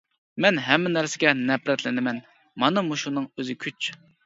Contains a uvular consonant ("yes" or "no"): no